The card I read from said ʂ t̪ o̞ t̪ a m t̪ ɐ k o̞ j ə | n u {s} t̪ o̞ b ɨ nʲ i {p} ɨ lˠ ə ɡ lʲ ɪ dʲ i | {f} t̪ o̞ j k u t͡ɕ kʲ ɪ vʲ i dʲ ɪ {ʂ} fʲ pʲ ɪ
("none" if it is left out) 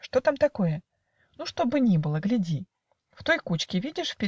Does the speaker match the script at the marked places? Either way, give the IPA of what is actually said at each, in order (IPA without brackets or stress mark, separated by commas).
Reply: ʂ, b, f, ʂ